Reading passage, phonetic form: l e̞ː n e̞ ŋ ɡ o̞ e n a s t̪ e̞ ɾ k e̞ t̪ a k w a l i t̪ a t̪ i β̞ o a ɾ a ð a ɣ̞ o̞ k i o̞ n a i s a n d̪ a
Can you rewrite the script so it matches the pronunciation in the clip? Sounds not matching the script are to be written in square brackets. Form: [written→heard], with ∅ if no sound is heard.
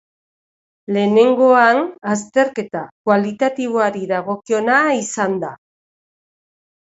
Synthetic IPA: l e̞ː n e̞ ŋ ɡ o̞ [e→a] n a s t̪ e̞ ɾ k e̞ t̪ a k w a l i t̪ a t̪ i β̞ o a ɾ [a→i] ð a ɣ̞ o̞ k i o̞ n a i s a n d̪ a